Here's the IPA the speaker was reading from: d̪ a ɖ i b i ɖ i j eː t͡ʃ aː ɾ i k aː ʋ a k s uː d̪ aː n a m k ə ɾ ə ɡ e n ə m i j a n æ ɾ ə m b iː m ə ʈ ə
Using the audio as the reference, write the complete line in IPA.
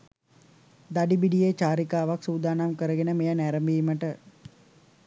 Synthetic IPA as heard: d̪ a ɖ i b i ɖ i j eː t͡ʃ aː ɾ i k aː ʋ a k s uː d̪ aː n a m k ə ɾ ə ɡ e n ə m e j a n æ ɾ ə m b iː m ə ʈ ə